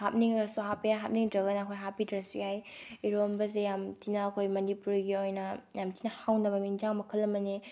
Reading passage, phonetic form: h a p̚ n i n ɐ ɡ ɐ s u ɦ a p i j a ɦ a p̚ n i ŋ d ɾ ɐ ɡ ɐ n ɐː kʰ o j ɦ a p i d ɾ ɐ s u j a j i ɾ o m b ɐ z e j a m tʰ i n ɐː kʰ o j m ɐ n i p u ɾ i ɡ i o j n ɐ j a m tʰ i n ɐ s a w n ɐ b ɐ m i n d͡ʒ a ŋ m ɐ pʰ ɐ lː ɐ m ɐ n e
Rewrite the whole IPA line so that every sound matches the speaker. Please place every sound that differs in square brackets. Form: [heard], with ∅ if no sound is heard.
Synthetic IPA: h a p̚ n i [ŋ] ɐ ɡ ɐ s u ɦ a p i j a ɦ a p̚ n i ŋ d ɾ ɐ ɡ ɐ n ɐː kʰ o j ɦ a p i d ɾ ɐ s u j a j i ɾ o m b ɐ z e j a m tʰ i n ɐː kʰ o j m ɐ n i p u ɾ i ɡ i o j n ɐ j a m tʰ i n ɐ [h] a w n ɐ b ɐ m i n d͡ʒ a ŋ m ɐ [kʰ] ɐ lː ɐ m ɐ n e